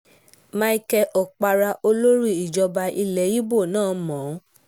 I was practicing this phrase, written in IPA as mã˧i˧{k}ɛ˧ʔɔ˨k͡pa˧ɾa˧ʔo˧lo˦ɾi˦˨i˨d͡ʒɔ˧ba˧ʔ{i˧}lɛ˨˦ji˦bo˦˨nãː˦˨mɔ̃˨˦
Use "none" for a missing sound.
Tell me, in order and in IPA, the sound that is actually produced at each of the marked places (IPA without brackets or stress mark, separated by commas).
k, i˧